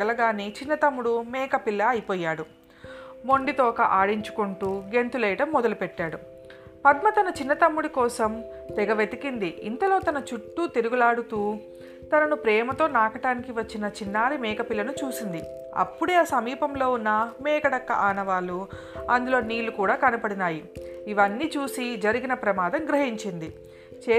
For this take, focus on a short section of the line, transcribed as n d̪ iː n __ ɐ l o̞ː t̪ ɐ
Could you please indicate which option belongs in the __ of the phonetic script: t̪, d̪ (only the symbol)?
t̪